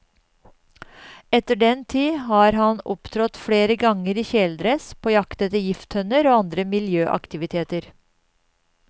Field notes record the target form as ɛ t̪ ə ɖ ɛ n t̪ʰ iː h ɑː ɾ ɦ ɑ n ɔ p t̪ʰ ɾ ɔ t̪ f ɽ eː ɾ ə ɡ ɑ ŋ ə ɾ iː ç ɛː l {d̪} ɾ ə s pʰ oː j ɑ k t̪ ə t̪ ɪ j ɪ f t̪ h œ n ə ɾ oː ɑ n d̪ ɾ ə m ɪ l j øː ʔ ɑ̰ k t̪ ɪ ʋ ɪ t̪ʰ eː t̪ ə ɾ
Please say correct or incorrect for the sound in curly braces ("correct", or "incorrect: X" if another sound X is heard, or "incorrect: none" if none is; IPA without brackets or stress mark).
correct